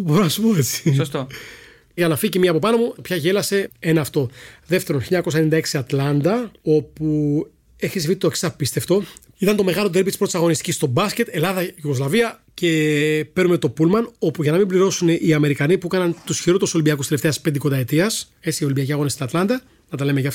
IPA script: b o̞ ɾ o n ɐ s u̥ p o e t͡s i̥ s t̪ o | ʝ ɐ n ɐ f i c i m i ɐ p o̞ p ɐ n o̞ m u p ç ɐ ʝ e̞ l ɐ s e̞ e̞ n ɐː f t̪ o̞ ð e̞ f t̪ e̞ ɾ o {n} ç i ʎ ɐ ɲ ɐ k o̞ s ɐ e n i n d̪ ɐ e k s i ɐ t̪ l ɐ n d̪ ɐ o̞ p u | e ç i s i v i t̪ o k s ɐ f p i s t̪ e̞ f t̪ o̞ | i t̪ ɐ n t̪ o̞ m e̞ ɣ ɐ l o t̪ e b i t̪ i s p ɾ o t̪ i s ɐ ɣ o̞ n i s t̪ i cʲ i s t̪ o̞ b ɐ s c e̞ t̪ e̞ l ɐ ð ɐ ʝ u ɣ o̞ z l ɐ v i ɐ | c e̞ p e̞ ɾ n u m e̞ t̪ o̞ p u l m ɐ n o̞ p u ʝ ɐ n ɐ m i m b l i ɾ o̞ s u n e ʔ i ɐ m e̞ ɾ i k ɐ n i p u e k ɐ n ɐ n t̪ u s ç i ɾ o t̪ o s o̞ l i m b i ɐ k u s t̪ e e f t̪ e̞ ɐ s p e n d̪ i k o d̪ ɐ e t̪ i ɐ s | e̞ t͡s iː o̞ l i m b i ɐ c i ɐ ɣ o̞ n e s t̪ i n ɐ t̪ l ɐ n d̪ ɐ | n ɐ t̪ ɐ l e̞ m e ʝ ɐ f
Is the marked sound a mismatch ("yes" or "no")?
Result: no